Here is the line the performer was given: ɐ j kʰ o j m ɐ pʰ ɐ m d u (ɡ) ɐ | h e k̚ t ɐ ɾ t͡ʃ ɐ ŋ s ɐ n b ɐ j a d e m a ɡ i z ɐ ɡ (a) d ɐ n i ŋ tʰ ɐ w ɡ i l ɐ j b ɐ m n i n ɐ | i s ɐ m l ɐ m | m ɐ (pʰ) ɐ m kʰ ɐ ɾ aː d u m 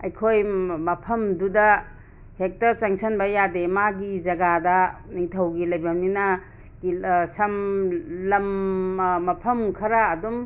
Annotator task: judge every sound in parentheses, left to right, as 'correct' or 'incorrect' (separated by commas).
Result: incorrect, correct, correct